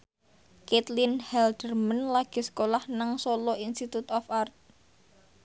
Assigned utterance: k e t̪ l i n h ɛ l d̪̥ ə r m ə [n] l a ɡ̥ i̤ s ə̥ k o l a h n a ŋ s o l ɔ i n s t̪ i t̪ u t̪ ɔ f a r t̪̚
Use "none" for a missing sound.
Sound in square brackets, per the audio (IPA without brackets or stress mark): n